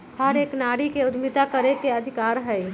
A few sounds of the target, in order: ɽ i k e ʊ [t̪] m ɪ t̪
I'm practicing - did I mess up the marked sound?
yes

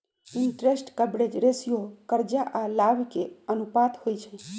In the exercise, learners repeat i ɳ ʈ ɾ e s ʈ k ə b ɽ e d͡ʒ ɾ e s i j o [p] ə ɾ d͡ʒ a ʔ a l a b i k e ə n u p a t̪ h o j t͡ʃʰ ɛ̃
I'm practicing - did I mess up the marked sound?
yes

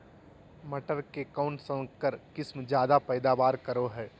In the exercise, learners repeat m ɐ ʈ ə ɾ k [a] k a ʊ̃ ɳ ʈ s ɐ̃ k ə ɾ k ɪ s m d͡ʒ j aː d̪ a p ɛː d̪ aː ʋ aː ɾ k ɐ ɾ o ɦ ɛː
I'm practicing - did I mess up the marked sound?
yes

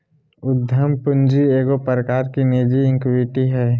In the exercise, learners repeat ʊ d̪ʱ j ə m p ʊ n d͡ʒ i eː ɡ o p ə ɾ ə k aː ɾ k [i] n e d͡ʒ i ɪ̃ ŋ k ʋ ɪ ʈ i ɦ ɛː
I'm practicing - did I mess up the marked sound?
no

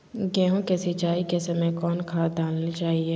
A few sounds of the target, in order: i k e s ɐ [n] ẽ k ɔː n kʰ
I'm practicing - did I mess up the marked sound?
yes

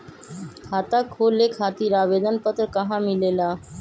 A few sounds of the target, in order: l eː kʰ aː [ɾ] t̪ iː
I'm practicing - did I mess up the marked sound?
yes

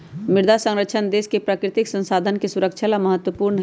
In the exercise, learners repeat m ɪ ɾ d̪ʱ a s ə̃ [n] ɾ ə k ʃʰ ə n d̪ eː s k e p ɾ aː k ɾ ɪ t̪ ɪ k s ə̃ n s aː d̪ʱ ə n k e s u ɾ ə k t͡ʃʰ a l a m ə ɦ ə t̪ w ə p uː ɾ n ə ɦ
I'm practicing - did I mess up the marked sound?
yes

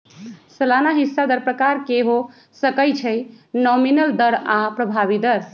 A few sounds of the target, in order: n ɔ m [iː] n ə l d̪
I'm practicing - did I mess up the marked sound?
yes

